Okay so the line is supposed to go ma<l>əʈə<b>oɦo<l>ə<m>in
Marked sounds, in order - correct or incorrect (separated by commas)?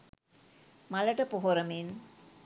correct, incorrect, incorrect, correct